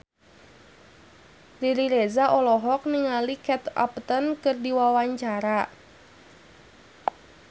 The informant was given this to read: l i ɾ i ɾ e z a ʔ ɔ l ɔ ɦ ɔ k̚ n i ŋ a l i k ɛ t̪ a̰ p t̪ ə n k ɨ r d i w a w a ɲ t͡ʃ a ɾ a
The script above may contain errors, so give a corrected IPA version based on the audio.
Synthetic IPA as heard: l i ɾ i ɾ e z a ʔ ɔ l ɔ ɦ ɔ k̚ n i ŋ a l i k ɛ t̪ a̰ p t̪ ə n k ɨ r d i w a w a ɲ t͡ʃ a ɾ a